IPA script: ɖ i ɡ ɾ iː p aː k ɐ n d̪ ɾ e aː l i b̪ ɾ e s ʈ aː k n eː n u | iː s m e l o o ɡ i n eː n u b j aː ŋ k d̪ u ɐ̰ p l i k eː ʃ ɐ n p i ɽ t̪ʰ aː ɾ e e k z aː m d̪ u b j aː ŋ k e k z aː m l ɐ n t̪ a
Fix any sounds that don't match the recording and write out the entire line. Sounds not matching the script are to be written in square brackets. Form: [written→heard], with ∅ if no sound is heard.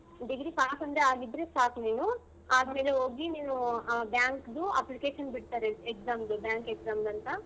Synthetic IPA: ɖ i ɡ ɾ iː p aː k ɐ n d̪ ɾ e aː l i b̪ ɾ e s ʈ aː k n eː n u | [iː→aː] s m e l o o ɡ i n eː n u b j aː ŋ k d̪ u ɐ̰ p l i k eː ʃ ɐ n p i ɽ [t̪ʰ→t̪] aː ɾ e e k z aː m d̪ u b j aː ŋ k e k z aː m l ɐ n t̪ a

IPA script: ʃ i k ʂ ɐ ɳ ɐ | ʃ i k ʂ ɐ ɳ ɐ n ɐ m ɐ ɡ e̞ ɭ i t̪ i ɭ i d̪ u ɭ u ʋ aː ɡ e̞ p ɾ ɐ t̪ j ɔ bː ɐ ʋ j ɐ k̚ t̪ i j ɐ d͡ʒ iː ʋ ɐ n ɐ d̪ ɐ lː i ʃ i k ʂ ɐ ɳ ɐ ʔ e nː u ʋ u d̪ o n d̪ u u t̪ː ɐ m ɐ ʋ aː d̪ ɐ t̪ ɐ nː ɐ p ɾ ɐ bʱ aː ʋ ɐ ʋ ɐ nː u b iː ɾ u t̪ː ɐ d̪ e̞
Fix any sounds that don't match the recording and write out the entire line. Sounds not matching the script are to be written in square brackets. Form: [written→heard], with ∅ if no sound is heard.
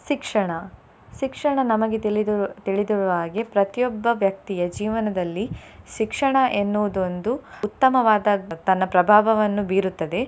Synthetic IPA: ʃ i k ʂ ɐ ɳ ɐ | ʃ i k ʂ ɐ ɳ ɐ n ɐ m ɐ ɡ e̞ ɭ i t̪ i ɭ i d̪ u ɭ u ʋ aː ɡ e̞ p ɾ ɐ t̪ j ɔ bː ɐ ʋ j ɐ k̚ t̪ i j ɐ d͡ʒ iː ʋ ɐ n ɐ d̪ ɐ lː i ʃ i k ʂ ɐ ɳ ɐ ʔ e nː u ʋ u d̪ o n d̪ u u t̪ː ɐ m ɐ ʋ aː d̪ ɐ t̪ ɐ nː ɐ p ɾ ɐ bʱ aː ʋ ɐ ʋ ɐ nː u b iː ɾ u t̪ː ɐ d̪ e̞

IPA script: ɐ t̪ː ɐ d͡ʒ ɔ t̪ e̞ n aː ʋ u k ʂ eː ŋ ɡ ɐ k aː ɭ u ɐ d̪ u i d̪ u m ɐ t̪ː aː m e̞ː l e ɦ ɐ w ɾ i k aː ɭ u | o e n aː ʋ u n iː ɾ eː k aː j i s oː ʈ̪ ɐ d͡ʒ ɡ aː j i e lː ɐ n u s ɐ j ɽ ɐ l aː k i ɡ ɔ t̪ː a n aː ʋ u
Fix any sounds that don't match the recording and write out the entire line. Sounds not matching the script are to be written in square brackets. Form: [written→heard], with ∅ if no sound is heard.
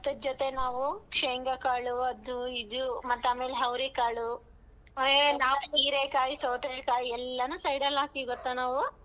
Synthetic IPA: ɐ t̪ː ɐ d͡ʒ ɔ t̪ e̞ n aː ʋ u k ʂ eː ŋ ɡ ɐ k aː ɭ u ɐ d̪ u i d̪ u m ɐ t̪ː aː m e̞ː l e ɦ ɐ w ɾ i k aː ɭ u | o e n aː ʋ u n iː ɾ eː k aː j i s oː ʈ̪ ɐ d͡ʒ [ɡ→k] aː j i [e→ɛ] lː ɐ n u s ɐ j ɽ ɐ l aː k i ɡ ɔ t̪ː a n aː ʋ u

